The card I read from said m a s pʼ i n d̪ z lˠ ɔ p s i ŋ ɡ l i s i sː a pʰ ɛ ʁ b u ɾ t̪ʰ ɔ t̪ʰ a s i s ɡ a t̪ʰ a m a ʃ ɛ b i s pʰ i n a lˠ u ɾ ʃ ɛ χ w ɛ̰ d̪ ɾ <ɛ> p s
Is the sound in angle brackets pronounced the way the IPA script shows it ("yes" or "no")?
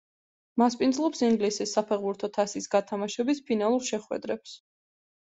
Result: yes